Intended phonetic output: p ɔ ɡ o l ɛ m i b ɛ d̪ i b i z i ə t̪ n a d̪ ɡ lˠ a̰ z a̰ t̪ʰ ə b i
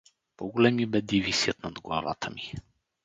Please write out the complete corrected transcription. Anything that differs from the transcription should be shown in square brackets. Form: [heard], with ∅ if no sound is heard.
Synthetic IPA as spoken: p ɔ ɡ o l ɛ m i b ɛ d̪ i [v] i [s] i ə t̪ n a d̪ ɡ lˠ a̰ [v] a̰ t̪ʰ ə [m] i

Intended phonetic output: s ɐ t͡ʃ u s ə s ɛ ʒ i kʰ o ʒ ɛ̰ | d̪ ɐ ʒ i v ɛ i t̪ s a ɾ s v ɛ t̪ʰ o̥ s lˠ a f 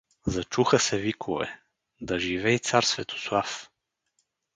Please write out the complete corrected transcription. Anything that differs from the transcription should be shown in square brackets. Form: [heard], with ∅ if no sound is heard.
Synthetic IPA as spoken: [z] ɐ t͡ʃ u [x] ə s ɛ [v] i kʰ o [v] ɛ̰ | d̪ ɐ ʒ i v ɛ i t̪ s a ɾ s v ɛ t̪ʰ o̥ s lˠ a f

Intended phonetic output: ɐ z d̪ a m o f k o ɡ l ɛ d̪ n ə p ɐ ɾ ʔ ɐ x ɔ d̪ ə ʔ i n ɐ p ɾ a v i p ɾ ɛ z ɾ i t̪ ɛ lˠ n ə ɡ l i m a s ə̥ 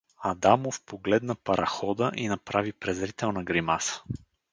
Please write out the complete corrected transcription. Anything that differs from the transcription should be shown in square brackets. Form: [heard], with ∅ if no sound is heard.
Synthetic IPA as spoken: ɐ [∅] d̪ a m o f [p] o ɡ l ɛ d̪ n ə p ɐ ɾ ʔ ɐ x ɔ d̪ ə ʔ i n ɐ p ɾ a v i p ɾ ɛ z ɾ i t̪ ɛ lˠ n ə ɡ [ɾ] i m a s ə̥

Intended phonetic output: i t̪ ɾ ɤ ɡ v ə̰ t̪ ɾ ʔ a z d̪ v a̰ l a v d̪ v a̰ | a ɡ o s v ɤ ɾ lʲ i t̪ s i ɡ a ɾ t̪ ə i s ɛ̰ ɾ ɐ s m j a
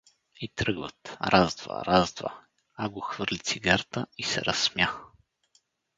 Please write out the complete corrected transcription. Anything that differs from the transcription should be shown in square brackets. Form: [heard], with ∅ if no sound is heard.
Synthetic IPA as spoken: i t̪ ɾ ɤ ɡ v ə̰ t̪ ɾ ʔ a z d̪ v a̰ [ɾ] a [z] d̪ v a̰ | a ɡ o [x] v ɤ ɾ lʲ i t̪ s i ɡ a ɾ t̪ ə i s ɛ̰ ɾ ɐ s m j a

